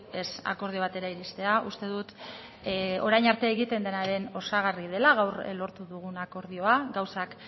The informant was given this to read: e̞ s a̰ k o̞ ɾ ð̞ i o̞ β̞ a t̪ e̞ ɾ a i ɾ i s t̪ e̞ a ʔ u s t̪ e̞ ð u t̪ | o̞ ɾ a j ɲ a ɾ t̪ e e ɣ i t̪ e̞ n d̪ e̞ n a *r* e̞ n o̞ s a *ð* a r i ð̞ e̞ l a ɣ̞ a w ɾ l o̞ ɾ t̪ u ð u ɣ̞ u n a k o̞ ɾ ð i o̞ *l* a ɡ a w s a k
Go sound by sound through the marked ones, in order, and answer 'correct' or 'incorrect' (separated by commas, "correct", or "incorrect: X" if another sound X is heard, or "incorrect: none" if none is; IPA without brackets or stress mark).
incorrect: ɾ, incorrect: ɣ, incorrect: none